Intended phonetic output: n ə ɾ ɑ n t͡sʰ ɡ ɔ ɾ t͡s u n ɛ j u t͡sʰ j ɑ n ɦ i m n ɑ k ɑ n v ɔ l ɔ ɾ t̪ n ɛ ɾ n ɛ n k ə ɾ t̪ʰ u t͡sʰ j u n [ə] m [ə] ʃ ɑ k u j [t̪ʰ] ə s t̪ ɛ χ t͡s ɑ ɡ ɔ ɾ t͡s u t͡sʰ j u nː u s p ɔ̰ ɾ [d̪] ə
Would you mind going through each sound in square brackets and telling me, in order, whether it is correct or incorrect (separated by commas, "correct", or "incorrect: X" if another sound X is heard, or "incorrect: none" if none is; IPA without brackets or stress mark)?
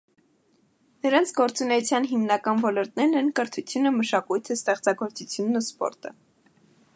correct, correct, correct, incorrect: t̪